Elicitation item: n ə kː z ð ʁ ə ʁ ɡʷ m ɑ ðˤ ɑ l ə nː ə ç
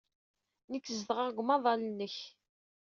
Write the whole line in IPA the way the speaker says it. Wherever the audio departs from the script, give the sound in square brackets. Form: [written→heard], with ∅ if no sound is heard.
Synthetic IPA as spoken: n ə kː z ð ʁ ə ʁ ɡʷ m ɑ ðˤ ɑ l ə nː ə ç